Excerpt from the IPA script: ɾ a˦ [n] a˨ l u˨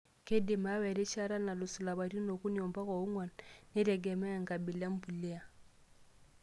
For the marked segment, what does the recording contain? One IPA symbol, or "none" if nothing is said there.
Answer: n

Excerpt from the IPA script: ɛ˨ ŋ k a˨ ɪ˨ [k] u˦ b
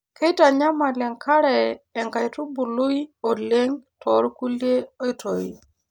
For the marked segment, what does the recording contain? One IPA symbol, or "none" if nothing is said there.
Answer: t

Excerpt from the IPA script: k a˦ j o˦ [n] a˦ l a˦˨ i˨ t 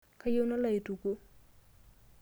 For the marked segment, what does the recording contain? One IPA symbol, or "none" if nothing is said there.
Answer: n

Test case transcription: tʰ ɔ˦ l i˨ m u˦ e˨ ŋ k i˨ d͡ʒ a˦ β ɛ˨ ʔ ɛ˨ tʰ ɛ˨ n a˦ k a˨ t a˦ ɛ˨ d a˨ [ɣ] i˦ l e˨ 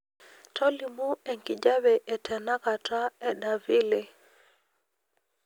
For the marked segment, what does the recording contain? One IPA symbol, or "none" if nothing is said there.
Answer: v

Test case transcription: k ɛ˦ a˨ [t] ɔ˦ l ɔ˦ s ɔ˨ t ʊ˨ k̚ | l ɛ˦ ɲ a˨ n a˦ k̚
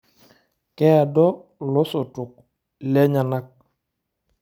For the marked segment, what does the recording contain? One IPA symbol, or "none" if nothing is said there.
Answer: d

